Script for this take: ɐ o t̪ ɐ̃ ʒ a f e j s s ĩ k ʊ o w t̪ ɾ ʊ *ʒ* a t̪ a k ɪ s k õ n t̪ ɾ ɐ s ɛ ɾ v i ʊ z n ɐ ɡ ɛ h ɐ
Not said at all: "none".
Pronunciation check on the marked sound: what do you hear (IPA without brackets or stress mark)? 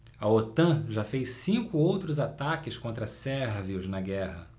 z